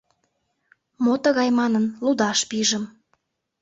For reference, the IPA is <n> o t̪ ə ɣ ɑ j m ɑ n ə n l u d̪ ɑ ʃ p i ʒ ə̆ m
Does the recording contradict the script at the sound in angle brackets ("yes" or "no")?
yes